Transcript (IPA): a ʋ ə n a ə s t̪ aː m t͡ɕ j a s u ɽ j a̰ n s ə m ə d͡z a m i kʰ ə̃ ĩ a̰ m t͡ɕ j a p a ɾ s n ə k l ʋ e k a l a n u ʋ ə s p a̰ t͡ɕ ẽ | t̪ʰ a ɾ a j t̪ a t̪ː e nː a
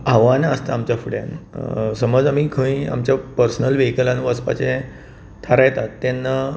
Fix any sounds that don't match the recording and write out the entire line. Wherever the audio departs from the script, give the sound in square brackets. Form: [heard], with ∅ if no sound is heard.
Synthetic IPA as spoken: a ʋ [a] n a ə s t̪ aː m t͡ɕ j a [f] u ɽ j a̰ n s ə m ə d͡z a m i kʰ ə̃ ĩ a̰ m t͡ɕ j a p [ə] ɾ s n ə [∅] l ʋ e k [ə] l a n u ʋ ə s p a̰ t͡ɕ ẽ | t̪ʰ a ɾ a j t̪ a t̪ː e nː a